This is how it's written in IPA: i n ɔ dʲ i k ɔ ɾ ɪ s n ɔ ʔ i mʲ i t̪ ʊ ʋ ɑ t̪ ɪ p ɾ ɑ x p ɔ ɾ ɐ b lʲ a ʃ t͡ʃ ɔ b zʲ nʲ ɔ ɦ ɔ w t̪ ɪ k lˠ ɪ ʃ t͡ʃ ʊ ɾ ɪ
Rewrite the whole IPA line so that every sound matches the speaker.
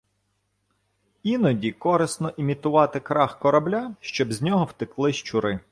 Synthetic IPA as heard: i n ɔ dʲ i k ɔ ɾ ɪ s n ɔ ʔ i mʲ i t̪ ʊ ʋ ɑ t̪ ɪ k ɾ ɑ x k ɔ ɾ ɐ b lʲ a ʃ t͡ʃ ɔ b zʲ nʲ ɔ ɦ ɔ w t̪ ɪ k lˠ ɪ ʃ t͡ʃ ʊ ɾ ɪ